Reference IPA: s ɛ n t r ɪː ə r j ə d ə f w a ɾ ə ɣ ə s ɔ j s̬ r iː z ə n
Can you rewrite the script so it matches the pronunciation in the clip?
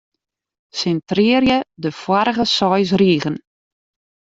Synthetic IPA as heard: s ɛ n t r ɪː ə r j ə d ə f w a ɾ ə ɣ ə s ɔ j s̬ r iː ɣ ə n